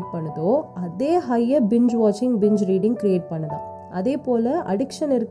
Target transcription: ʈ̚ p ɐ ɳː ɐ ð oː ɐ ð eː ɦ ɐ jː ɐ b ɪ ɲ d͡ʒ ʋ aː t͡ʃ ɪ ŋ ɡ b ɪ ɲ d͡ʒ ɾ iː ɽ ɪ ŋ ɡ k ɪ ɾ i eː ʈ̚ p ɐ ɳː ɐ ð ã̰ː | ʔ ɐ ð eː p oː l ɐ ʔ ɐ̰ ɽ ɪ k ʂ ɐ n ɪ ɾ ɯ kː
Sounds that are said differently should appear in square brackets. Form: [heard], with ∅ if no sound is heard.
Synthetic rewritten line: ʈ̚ p ɐ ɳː ɐ ð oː ɐ ð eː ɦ ɐ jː ɐ b ɪ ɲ d͡ʒ ʋ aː t͡ʃ ɪ ŋ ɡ b ɪ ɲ d͡ʒ ɾ iː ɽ ɪ ŋ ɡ k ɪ ɾ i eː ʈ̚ p ɐ ɳː ɐ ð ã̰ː | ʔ ɐ ð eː p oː l ɐ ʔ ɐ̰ ɽ ɪ k ʂ ɐ n ɪ ɾ ɯ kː